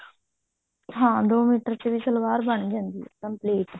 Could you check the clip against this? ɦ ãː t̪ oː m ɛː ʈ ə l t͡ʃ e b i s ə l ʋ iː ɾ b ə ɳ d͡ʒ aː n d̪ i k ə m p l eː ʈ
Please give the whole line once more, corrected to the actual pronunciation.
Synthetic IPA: ɦ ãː d̪ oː m iː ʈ ə ɾ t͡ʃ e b i s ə l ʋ aː ɾ b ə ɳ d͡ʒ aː n d̪ i k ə m p l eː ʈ